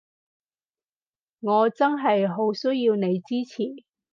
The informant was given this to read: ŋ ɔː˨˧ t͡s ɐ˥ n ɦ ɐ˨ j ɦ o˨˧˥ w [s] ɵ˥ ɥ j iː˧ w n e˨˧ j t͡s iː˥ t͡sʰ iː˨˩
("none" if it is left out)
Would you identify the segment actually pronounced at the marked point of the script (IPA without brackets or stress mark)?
s